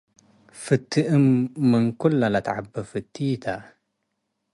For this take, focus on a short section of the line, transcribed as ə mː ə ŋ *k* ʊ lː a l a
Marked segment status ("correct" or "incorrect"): correct